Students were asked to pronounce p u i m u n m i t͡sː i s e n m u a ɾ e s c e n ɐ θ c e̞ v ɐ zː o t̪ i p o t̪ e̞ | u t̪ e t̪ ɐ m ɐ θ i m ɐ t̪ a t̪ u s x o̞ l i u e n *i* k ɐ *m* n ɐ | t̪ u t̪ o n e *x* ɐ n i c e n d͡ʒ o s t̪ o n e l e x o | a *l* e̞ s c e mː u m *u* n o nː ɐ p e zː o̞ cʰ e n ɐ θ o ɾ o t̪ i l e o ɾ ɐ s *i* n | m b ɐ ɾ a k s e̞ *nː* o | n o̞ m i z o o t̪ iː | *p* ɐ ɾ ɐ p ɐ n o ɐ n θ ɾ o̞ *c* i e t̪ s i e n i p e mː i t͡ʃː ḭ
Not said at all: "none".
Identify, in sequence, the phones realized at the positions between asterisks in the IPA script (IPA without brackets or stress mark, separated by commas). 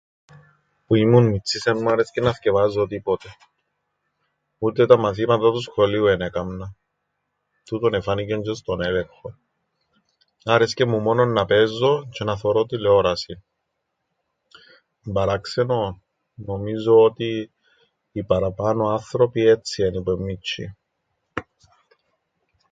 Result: e, m, f, ɾ, o, i, n, p, p